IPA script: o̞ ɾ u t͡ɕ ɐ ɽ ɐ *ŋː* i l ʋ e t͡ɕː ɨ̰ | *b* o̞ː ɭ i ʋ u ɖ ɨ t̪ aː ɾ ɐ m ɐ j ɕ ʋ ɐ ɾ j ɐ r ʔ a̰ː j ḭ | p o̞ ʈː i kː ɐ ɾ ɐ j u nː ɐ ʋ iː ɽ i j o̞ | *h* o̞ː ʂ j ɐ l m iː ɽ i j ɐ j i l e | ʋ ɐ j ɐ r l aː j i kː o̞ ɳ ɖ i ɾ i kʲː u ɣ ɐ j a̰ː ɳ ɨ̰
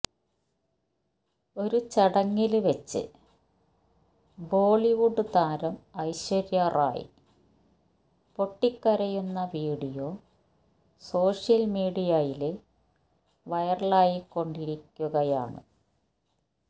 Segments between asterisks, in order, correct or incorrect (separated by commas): correct, correct, incorrect